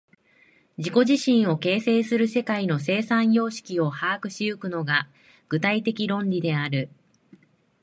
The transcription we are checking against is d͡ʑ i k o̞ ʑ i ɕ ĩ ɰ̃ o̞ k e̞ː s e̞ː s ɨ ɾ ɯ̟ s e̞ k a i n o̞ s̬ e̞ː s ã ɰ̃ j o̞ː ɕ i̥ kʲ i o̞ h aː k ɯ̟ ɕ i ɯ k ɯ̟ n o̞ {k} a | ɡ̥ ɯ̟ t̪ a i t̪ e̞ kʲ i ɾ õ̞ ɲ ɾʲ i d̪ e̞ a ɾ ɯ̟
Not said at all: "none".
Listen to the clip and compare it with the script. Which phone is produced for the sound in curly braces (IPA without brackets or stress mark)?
ɡ